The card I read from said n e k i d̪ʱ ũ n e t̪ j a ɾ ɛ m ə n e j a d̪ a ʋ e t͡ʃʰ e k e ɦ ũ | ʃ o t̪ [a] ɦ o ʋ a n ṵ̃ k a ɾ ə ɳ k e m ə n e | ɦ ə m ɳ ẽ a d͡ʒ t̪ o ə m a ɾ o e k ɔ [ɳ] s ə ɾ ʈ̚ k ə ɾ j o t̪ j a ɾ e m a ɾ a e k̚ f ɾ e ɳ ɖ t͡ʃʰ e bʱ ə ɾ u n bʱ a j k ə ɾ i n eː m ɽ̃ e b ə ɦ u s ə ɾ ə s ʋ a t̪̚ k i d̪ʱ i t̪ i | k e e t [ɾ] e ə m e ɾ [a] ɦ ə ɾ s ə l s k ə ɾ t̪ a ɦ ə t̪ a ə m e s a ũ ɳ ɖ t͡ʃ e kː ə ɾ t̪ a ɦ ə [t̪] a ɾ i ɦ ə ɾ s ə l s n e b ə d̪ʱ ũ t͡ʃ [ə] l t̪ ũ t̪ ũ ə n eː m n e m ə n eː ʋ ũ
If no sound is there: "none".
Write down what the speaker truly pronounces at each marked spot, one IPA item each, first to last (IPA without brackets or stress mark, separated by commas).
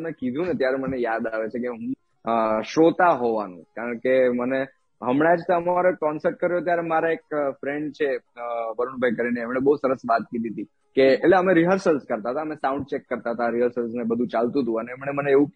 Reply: a, n, l, i, t̪, a